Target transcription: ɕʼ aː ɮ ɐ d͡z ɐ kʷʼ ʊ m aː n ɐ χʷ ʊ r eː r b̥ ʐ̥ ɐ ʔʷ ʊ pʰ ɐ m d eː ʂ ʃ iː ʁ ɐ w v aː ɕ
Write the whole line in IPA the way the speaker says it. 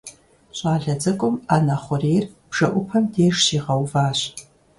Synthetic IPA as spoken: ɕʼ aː ɮ ɐ d͡z ɐ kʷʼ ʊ m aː n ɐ χʷ ʊ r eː r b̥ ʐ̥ ɐ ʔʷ ʊ pʰ ɐ m d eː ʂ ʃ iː ʁ ɐ w v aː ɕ